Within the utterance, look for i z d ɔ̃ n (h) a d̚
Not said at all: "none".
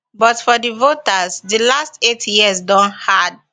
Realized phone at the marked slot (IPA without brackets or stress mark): h